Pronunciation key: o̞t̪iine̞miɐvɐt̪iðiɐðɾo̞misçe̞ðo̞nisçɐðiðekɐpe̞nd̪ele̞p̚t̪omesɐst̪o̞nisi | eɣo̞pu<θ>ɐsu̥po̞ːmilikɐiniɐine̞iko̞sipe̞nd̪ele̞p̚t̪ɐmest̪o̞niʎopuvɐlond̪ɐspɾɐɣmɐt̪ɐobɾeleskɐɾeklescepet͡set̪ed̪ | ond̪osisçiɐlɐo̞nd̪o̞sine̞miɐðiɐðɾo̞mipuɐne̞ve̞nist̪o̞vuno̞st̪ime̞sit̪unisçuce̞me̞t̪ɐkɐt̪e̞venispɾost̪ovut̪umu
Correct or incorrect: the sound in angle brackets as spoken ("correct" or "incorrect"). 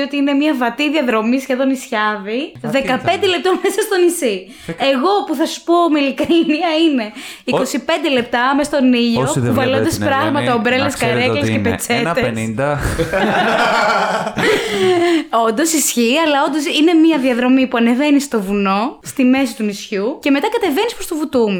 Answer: correct